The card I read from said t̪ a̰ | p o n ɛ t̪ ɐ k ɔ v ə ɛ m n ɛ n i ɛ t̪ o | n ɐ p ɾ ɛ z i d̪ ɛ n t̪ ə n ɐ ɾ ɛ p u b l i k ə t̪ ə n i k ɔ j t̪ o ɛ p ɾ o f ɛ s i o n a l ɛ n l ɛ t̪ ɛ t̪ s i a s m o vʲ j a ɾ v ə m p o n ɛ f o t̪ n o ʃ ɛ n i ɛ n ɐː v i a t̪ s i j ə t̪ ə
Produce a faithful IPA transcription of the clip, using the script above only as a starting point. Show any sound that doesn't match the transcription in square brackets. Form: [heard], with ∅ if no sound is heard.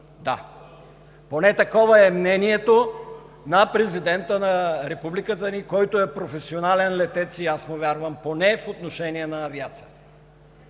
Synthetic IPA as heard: [d̪] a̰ | p o n ɛ t̪ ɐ k ɔ v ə ɛ m n ɛ n i ɛ t̪ o | n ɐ p ɾ ɛ z i d̪ ɛ n t̪ ə n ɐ ɾ ɛ p u b l i k ə t̪ ə n i k ɔ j t̪ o ɛ p ɾ o f ɛ s i o n a l ɛ n l ɛ t̪ ɛ t̪ s i a s m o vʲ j a ɾ v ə m p o n ɛ f o t̪ n o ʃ ɛ n i ɛ n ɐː v i a t̪ s i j ə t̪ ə

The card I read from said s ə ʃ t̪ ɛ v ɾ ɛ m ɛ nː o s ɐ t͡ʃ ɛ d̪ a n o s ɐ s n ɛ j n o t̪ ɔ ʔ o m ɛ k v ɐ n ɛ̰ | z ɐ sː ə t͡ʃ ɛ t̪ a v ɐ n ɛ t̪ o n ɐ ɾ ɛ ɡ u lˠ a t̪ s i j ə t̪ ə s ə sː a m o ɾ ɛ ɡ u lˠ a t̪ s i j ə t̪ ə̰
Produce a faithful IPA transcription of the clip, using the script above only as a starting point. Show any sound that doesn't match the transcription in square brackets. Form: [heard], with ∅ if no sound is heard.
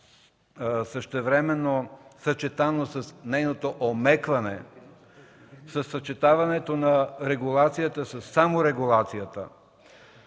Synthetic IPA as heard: s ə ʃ t̪ ɛ v ɾ ɛ m ɛ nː o s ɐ t͡ʃ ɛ [t̪] a n o s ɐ s n ɛ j n o t̪ [o] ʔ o m ɛ k v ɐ n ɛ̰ | [s] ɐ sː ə t͡ʃ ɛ t̪ a v ɐ n ɛ t̪ o n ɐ ɾ ɛ ɡ u lˠ a t̪ s i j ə t̪ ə s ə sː a m o ɾ ɛ ɡ u lˠ a t̪ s i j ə t̪ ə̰

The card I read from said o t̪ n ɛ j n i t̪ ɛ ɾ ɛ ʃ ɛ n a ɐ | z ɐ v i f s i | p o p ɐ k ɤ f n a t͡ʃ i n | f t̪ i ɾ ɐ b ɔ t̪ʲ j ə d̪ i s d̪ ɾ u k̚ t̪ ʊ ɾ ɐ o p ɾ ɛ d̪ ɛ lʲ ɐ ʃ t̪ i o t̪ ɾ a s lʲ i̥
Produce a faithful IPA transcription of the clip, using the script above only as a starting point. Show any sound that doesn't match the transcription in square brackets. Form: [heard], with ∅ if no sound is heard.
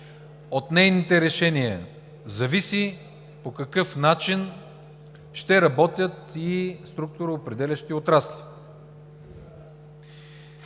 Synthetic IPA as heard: o t̪ n ɛ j n i t̪ ɛ ɾ ɛ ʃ ɛ n [i] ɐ | z ɐ v i [∅] s i | p o [k] ɐ k ɤ f n a t͡ʃ i n | [ʃ] t̪ [ɛ] ɾ ɐ b ɔ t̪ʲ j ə [t̪] i s [t̪] ɾ u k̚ t̪ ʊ ɾ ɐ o p ɾ ɛ d̪ ɛ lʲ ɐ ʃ t̪ i o t̪ ɾ a s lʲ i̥

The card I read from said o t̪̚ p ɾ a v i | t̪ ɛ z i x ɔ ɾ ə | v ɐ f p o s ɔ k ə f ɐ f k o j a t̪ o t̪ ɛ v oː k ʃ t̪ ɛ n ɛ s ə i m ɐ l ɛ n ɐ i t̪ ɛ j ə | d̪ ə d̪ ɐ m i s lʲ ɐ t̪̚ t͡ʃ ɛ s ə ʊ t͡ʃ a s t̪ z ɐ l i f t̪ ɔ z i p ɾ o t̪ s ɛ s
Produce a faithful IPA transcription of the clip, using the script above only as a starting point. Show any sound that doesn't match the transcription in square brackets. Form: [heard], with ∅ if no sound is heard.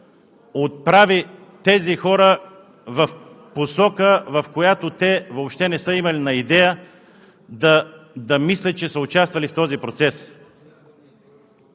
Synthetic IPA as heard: o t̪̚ p ɾ a v i | t̪ ɛ z i x ɔ ɾ ə | v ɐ f p o s ɔ k ə [v] ɐ f k o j a t̪ o t̪ ɛ v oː [p] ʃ t̪ ɛ n ɛ s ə i m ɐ l [i] n ɐ i [d̪] ɛ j ə | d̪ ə d̪ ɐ m i s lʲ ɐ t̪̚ t͡ʃ ɛ s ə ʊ t͡ʃ a s t̪ [v] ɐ l i f t̪ ɔ z i p ɾ o t̪ s ɛ s

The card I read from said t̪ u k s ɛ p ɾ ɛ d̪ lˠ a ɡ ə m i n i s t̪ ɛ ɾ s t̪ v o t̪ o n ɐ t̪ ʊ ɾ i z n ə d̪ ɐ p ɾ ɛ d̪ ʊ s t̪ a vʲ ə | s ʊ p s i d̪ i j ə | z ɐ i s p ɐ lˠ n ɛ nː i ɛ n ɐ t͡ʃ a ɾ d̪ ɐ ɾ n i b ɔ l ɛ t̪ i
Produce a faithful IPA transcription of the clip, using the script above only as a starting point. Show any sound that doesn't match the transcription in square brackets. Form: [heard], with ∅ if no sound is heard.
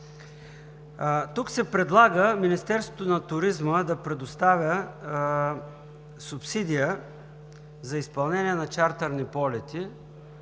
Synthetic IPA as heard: t̪ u k s ɛ p ɾ ɛ d̪ lˠ a ɡ ə m i n i s t̪ ɛ ɾ s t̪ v o t̪ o n ɐ t̪ ʊ ɾ i z [m] ə d̪ ɐ p ɾ ɛ d̪ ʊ s t̪ a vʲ ə | s ʊ p s i d̪ i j ə | z ɐ i s p ɐ lˠ n ɛ [n] i ɛ n ɐ t͡ʃ a ɾ [t̪] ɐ ɾ n i [p] ɔ l ɛ t̪ i

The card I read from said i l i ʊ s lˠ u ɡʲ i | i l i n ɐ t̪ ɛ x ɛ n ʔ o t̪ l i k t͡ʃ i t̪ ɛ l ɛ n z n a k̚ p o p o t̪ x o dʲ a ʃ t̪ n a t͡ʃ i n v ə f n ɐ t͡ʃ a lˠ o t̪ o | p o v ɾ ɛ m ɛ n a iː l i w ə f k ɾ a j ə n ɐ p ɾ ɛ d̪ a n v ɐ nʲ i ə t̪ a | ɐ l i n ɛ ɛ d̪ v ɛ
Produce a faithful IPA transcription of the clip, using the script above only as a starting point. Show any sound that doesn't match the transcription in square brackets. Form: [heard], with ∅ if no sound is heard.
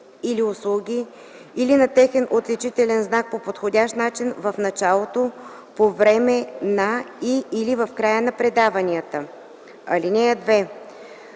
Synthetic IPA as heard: i l i ʊ s lˠ u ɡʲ i | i l i n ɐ t̪ ɛ x ɛ n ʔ o t̪ l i [∅] t͡ʃ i t̪ ɛ l ɛ n z n a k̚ p o p o t̪ x o dʲ a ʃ t̪ n a t͡ʃ i n v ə f n ɐ t͡ʃ a lˠ o t̪ o | p o v ɾ ɛ m ɛ n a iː l i [v] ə f k ɾ a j ə n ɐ p ɾ ɛ d̪ a [∅] v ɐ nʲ i ə t̪ [ə] | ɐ l i n ɛ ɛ d̪ v ɛ

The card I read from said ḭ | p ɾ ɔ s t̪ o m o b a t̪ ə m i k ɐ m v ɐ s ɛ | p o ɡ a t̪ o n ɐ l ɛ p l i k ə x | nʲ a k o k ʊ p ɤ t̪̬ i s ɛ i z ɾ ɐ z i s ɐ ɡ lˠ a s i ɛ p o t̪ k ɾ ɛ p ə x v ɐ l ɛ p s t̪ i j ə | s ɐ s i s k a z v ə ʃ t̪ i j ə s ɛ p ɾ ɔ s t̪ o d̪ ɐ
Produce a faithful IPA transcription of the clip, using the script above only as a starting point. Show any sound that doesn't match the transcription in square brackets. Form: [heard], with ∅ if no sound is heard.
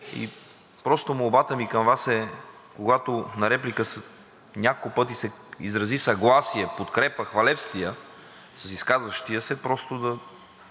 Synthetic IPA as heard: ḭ | p ɾ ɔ s t̪ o m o b a t̪ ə m i k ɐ m v [a] s ɛ | [k] o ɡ a t̪ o n ɐ [ɾ] ɛ p l i k ə [s] | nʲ a k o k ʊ p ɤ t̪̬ i s ɛ i z ɾ ɐ z i s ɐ ɡ lˠ a s i ɛ p o t̪ k ɾ ɛ p ə x v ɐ l ɛ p s t̪ i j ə | s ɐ s i s k a z v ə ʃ t̪ i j ə s ɛ p ɾ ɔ s t̪ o d̪ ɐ

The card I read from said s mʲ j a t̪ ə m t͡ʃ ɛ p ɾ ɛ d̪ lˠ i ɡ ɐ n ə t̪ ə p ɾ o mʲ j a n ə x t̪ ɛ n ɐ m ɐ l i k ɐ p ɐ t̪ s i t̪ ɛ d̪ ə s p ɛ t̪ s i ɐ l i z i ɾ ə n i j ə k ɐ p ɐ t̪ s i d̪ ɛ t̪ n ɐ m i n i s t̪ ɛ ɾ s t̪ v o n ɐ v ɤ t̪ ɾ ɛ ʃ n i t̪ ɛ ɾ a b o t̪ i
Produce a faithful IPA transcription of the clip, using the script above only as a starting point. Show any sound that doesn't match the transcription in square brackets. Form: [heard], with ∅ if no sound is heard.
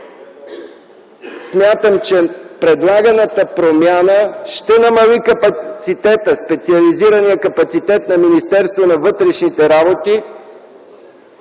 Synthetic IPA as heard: s mʲ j a t̪ ə m t͡ʃ ɛ p ɾ ɛ d̪ lˠ [a] ɡ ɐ n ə t̪ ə p ɾ o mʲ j a n ə [ʃ] t̪ ɛ n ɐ m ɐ l i k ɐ p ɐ t̪ s i t̪ ɛ [t̪] ə s p ɛ t̪ s i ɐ l i z i ɾ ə n i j ə k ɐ p ɐ t̪ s i [t̪] ɛ t̪ n ɐ m i n i s t̪ ɛ ɾ s t̪ v o n ɐ v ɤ t̪ ɾ ɛ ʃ n i t̪ ɛ ɾ a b o t̪ i

